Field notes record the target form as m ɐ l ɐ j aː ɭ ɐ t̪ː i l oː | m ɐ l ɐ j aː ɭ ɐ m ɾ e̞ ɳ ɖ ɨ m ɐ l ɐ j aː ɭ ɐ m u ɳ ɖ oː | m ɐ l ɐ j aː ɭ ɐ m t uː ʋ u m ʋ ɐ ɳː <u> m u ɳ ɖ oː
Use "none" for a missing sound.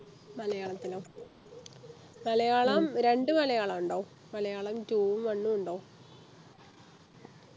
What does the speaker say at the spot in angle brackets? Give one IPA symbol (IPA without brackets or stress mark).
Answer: u